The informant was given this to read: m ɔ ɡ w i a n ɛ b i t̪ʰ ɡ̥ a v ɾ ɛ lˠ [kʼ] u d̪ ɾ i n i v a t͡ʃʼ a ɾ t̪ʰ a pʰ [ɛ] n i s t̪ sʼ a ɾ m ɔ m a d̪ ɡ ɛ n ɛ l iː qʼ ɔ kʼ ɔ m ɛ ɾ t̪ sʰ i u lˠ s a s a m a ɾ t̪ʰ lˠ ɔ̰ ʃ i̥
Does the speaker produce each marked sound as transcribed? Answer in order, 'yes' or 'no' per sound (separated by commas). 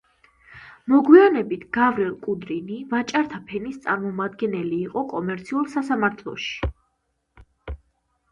yes, yes